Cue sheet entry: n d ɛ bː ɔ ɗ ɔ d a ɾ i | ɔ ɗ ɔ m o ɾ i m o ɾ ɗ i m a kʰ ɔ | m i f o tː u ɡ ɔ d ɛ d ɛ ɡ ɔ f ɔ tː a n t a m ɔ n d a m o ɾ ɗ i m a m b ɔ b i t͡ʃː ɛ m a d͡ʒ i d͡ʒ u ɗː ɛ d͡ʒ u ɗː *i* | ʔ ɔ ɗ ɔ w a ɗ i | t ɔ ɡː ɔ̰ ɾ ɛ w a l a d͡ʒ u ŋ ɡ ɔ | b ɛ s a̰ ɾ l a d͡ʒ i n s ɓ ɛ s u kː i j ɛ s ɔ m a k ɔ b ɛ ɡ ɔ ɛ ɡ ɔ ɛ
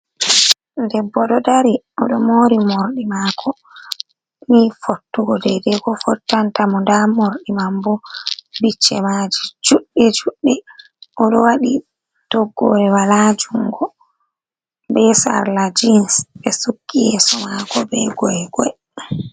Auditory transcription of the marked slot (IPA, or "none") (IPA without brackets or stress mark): ɛ